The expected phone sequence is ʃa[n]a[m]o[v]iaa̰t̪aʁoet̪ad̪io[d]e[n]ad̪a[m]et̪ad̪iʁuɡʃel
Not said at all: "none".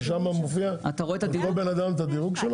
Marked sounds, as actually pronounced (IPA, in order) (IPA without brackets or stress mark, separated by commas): m, m, f, b, n, m